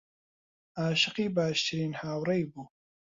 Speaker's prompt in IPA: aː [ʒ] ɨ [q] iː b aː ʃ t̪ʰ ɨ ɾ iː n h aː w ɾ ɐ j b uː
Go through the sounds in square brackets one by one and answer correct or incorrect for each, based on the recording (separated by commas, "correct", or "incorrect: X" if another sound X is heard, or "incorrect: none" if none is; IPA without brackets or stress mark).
incorrect: ʃ, correct